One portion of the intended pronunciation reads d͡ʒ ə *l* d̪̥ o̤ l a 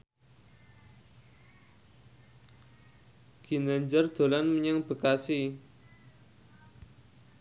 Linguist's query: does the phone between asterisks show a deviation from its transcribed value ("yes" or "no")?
yes